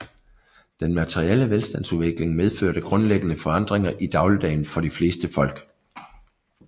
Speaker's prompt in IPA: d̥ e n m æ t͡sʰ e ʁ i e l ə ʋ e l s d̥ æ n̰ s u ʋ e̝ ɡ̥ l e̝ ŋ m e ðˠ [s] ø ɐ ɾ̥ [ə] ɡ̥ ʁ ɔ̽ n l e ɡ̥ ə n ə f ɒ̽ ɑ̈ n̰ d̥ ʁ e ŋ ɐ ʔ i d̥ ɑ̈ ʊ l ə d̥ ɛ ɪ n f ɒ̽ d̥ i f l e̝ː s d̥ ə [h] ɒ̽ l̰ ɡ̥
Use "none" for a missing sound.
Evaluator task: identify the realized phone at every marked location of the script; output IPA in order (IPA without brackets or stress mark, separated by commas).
f, ə, f